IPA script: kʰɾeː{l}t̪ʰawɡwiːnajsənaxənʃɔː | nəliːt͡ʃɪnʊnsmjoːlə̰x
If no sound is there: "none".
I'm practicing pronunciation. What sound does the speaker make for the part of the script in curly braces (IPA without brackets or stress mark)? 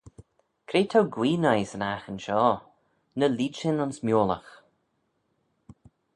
none